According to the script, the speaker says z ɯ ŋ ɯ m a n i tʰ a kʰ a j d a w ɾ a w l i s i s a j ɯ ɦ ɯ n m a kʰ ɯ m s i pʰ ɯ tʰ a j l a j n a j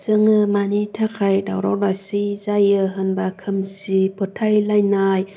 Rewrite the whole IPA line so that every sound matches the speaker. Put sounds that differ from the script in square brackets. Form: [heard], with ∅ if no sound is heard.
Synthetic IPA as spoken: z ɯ ŋ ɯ m a n i tʰ a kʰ a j d a w ɾ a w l [a] s i [z] a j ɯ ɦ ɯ n [b] a kʰ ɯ m s i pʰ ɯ tʰ a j l a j n a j

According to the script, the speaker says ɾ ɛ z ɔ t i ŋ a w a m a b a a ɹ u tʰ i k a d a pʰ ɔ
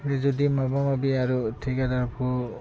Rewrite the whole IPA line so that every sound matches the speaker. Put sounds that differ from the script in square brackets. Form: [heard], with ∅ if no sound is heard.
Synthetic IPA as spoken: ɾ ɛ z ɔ [d] i [m] a [b] a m a b [i] a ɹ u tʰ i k a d a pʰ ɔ

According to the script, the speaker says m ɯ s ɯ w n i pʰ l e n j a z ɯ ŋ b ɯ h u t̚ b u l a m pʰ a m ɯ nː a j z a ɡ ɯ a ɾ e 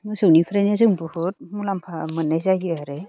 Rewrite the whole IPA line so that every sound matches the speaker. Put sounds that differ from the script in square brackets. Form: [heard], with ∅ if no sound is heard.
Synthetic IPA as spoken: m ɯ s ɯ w n i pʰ [ɾ] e n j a z ɯ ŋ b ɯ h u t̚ [m] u l a m pʰ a m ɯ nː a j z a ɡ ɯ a ɾ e

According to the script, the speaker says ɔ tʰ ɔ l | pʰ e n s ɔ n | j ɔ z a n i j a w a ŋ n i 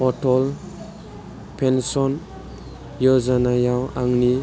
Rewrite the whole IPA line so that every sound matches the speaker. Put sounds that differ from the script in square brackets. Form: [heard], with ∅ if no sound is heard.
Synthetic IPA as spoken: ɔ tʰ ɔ l | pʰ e n s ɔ n | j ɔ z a n [a] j a w a ŋ n i

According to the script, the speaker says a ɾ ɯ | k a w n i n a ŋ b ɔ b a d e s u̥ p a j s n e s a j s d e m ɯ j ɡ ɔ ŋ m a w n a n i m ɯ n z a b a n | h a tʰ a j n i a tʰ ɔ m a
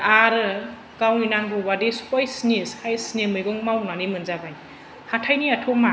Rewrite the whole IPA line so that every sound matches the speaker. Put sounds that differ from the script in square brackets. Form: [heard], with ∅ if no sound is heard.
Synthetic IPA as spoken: a ɾ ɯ | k a w n i n a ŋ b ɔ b a d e s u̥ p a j s n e s a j s [n] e m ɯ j ɡ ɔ ŋ m a w n a n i m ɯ n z a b a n | h a tʰ a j n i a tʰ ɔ m a

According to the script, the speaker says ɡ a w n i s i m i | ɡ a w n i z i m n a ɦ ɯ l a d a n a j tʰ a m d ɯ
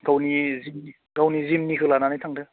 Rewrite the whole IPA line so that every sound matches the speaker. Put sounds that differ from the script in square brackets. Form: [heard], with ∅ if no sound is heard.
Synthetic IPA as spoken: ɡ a w n i [z] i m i | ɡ a w n i z i m n [i] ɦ ɯ l a [n] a n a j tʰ a [ŋ] d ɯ

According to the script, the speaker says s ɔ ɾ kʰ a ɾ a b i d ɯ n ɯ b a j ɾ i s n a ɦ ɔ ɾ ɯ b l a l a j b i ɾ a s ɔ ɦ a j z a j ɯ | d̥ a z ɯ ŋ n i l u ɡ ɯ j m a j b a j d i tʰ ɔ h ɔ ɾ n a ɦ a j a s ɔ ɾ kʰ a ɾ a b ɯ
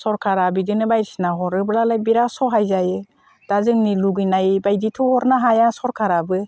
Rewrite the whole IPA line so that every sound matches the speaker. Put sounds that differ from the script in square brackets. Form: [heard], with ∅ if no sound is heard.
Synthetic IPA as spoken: s ɔ ɾ kʰ a ɾ a b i d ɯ n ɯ b a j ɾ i s n a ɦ ɔ ɾ ɯ b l a l a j b i ɾ a s ɔ ɦ a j z a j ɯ | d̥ a z ɯ ŋ n i l u ɡ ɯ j [n] a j b a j d i tʰ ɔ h ɔ ɾ n a ɦ a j a s ɔ ɾ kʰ a ɾ a b ɯ

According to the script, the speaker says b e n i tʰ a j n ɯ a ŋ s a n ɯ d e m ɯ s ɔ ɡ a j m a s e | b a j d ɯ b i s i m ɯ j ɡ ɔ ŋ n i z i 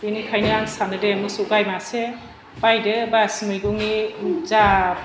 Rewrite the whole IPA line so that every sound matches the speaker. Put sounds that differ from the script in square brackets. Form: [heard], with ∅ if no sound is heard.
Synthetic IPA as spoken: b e n i [kʰ] a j n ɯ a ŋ s a n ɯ d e m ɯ s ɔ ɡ a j m a s e | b a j d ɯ b [a] s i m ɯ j ɡ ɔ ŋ n i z [a]

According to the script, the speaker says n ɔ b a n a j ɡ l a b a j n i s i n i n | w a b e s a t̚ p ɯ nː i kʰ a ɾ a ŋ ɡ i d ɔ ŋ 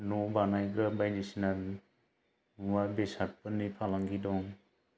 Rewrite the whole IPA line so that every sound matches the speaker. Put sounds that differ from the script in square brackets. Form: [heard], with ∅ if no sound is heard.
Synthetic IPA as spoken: n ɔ b a n a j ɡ [ɾ] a b a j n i s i n [a] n | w a b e s a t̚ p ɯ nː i [pʰ] a [l] a ŋ ɡ i d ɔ ŋ

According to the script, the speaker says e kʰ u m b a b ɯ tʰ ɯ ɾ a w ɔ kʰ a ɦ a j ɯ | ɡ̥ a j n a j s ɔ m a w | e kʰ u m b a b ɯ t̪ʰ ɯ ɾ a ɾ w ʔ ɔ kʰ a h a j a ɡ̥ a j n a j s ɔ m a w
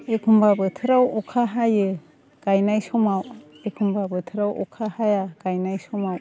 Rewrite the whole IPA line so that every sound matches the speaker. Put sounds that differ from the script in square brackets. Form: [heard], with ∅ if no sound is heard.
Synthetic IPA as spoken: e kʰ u m b a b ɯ tʰ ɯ ɾ a w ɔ kʰ a ɦ a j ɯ | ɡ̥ a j n a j s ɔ m a w | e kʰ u m b a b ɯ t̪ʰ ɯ ɾ a [∅] w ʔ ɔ kʰ a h a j a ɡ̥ a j n a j s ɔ m a w

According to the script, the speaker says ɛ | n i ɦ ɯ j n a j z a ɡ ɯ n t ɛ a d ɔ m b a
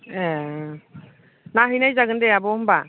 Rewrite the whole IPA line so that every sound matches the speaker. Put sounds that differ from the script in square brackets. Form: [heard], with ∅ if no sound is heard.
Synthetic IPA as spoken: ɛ | n [a] ɦ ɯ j n a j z a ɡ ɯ n [d] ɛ a [b] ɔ m b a

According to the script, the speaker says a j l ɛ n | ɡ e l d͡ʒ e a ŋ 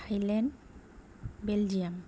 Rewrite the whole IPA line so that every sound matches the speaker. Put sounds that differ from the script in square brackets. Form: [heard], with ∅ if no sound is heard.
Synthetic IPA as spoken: a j l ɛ n | [b] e l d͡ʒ [i] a [m]

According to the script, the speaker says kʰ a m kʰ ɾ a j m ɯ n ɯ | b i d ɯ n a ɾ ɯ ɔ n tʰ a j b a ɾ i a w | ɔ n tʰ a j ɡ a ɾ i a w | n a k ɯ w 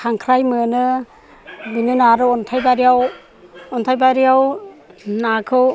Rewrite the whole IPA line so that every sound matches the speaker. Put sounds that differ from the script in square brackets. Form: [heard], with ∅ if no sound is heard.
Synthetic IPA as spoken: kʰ a [ŋ] kʰ ɾ a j m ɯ n ɯ | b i [n] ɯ n a ɾ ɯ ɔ n tʰ a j b a ɾ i a w | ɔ n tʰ a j [b] a ɾ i a w | n a [kʰ] ɯ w

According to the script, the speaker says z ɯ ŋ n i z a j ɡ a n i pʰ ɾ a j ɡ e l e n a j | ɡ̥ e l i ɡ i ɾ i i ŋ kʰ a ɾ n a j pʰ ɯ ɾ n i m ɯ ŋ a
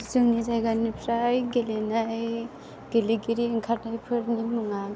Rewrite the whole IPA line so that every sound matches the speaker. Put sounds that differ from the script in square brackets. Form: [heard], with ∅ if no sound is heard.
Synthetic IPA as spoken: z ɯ ŋ n i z a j ɡ a n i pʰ ɾ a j ɡ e l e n a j | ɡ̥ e l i ɡ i ɾ i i ŋ kʰ a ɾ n a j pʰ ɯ ɾ n i m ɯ ŋ a

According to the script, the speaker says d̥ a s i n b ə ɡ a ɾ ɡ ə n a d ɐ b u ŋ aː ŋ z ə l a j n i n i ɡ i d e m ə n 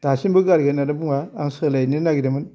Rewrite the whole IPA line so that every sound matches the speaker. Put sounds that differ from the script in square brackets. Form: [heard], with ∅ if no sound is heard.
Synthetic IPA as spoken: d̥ a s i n b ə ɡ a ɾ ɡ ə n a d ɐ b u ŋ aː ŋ [s] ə l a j n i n [a] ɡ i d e m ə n

